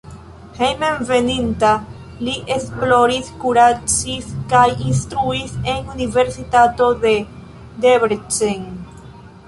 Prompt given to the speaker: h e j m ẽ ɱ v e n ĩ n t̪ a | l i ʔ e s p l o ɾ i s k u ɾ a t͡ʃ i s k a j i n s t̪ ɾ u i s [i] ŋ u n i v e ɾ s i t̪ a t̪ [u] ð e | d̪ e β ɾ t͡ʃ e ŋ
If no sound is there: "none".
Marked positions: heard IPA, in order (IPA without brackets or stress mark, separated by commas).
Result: e, o